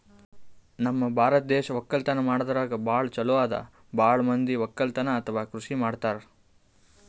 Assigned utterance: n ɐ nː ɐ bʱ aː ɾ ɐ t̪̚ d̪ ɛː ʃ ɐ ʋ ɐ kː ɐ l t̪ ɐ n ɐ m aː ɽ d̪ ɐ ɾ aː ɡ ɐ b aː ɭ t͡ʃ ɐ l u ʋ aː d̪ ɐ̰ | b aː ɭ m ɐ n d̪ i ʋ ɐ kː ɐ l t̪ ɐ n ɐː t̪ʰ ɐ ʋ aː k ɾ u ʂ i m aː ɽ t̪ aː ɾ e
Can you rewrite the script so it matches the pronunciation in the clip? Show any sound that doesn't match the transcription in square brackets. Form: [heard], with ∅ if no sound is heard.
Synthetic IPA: n ɐ [mː] ɐ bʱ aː ɾ ɐ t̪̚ d̪ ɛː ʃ ɐ ʋ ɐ kː ɐ l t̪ ɐ n ɐ m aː ɽ d̪ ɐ ɾ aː ɡ ɐ b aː ɭ t͡ʃ ɐ l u ʋ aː d̪ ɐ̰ | b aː ɭ m ɐ n d̪ i ʋ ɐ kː ɐ l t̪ ɐ n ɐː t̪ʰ ɐ ʋ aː k ɾ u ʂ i m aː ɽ t̪ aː ɾ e